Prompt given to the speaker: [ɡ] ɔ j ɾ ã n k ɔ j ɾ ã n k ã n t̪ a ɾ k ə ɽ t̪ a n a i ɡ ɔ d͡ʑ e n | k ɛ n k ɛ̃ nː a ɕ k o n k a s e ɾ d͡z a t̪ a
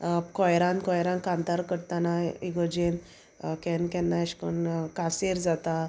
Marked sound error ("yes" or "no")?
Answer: yes